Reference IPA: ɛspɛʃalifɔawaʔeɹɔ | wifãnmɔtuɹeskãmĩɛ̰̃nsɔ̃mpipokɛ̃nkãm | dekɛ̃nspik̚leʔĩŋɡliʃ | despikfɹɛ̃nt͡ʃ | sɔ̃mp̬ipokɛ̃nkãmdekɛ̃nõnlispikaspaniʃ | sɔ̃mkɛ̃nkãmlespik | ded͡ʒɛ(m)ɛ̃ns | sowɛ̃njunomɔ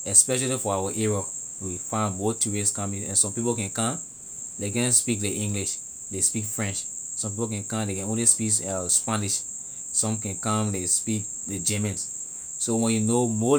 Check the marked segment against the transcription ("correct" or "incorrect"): correct